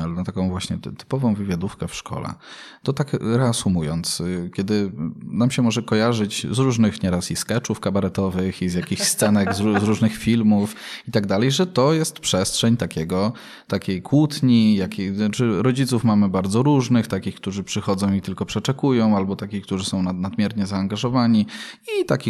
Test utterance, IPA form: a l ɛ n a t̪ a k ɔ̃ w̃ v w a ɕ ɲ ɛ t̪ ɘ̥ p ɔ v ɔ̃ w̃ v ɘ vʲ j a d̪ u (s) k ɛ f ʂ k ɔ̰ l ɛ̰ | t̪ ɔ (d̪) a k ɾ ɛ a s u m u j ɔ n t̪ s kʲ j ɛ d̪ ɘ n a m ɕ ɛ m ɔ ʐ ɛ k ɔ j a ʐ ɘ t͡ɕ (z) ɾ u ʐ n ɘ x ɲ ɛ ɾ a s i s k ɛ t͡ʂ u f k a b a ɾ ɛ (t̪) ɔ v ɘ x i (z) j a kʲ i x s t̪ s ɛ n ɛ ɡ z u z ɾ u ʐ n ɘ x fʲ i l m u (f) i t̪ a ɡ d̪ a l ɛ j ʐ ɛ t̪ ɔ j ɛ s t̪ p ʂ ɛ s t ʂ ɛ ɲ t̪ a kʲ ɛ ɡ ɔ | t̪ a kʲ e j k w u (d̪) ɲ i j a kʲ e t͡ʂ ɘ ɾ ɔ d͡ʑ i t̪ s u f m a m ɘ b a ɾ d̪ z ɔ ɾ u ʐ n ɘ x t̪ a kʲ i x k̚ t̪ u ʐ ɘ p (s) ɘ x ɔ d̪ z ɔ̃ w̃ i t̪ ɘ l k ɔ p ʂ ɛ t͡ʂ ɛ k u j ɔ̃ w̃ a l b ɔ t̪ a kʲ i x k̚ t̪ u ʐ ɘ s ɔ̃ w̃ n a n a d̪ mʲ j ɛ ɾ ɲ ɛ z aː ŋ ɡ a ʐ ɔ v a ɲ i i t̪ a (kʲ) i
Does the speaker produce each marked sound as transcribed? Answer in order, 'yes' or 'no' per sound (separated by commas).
no, no, yes, yes, yes, yes, no, no, yes